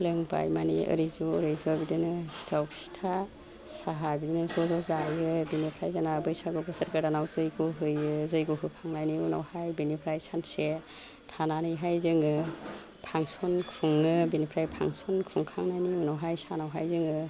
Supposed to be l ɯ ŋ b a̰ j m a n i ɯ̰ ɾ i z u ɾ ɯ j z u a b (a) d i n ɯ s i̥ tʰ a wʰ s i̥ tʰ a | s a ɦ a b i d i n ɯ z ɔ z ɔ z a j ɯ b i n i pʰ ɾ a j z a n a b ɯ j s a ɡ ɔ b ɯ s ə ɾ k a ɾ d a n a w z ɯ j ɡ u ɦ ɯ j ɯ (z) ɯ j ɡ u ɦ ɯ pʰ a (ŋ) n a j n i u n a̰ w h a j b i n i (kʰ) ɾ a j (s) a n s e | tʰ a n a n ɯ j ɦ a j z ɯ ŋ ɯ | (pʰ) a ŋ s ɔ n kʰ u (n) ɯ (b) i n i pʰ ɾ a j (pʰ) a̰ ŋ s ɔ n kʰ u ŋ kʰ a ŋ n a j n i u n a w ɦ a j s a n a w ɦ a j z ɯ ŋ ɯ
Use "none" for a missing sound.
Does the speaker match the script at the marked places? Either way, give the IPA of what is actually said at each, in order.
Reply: i, z, ŋ, pʰ, s, pʰ, ŋ, b, pʰ

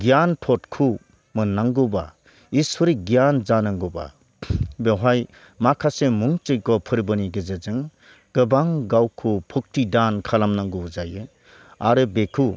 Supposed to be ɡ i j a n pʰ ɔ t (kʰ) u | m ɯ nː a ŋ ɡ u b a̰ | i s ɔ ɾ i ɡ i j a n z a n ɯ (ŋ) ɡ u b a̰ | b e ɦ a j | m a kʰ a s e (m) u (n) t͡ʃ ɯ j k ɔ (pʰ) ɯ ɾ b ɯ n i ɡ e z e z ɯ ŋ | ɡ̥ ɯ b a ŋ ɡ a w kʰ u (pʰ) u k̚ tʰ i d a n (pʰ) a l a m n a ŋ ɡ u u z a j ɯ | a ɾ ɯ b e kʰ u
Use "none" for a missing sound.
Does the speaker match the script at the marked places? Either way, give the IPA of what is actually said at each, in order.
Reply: kʰ, ŋ, m, ŋ, pʰ, pʰ, kʰ

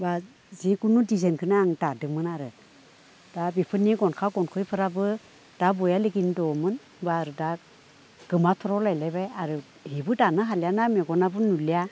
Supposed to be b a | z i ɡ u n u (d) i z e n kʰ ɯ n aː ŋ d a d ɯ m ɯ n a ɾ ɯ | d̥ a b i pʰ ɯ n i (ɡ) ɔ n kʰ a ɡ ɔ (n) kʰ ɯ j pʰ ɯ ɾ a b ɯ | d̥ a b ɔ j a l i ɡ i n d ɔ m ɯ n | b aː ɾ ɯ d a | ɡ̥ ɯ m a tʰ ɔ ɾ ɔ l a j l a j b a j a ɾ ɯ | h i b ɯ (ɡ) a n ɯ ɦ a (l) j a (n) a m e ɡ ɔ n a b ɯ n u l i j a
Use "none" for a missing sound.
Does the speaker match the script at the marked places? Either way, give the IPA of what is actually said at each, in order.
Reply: d, ɡ, n, d, l, n

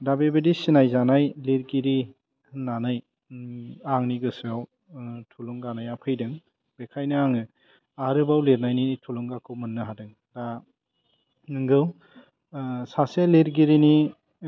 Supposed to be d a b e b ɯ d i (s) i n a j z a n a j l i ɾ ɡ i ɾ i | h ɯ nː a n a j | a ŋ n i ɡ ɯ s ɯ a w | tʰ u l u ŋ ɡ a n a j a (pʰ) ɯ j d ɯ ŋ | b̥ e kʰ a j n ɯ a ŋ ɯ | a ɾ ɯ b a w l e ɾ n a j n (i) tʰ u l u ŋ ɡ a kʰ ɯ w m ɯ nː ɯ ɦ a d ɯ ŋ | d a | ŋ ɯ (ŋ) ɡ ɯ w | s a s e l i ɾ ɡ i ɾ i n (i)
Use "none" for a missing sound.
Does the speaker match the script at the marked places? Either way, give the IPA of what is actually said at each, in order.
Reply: s, pʰ, i, ŋ, i

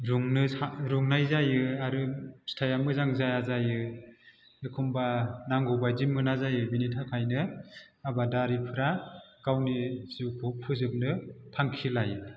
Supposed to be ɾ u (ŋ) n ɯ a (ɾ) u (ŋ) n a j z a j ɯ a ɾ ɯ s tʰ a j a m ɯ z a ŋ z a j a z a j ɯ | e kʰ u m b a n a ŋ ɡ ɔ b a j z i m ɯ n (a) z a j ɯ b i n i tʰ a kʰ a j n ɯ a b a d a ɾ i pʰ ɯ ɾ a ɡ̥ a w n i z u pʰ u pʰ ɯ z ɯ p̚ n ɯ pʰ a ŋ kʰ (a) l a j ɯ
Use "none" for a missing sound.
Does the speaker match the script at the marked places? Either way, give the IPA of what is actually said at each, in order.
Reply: ŋ, ɾ, ŋ, a, i

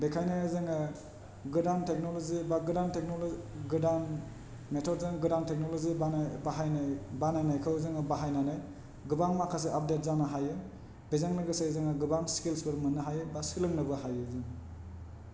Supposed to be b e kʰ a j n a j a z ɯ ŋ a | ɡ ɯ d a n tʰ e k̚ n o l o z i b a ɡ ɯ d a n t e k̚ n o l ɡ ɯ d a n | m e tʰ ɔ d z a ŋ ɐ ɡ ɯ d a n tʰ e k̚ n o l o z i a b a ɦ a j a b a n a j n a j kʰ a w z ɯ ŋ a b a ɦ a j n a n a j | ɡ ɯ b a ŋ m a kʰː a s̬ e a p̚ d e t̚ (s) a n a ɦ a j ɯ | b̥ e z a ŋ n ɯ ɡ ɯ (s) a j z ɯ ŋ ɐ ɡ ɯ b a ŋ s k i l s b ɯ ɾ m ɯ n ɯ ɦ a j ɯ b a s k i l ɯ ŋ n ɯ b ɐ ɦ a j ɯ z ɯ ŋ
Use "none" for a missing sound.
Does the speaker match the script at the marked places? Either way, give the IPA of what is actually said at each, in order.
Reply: z, s

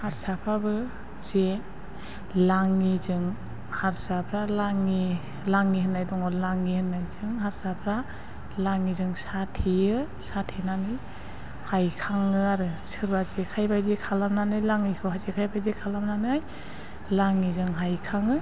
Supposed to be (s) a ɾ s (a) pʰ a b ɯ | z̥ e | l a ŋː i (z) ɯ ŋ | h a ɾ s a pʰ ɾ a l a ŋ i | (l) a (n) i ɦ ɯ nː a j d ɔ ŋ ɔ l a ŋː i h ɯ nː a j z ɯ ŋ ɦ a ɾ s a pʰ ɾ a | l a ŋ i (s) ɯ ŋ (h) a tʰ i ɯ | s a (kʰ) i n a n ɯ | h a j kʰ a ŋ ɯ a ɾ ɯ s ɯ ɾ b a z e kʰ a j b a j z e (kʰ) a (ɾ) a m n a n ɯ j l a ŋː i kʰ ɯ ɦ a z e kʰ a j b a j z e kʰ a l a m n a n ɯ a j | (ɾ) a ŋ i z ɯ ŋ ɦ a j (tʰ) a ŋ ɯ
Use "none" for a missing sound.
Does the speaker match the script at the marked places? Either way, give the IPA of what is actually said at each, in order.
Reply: h, a, z, l, ŋ, z, s, tʰ, kʰ, l, l, kʰ

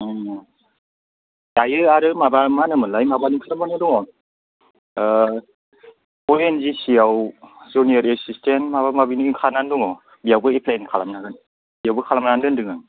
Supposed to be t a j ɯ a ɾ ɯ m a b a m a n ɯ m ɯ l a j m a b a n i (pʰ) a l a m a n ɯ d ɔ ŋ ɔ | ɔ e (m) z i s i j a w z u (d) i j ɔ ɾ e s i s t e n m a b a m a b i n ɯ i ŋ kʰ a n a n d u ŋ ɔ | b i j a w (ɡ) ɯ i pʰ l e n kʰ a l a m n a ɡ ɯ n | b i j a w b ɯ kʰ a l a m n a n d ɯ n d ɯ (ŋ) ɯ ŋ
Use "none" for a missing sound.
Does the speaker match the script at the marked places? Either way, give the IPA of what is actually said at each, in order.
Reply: kʰ, n, n, b, ŋ

